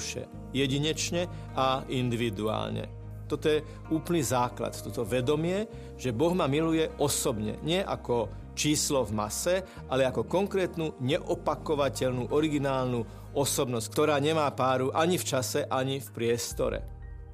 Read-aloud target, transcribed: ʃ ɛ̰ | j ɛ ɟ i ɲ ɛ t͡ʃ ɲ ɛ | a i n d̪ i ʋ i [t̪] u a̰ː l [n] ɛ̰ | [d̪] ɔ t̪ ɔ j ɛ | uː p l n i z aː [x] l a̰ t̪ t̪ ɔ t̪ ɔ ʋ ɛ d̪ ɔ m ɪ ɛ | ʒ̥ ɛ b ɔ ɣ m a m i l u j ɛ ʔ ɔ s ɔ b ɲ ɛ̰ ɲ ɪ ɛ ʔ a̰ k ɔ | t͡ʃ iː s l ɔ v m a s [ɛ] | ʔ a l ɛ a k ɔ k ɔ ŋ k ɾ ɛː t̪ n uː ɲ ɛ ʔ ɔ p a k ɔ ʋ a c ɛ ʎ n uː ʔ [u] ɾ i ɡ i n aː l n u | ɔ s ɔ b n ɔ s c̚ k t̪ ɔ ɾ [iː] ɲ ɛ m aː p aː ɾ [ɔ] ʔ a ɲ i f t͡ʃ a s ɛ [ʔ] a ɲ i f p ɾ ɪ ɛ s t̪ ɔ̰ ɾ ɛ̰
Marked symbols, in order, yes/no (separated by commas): no, no, no, no, yes, no, no, no, yes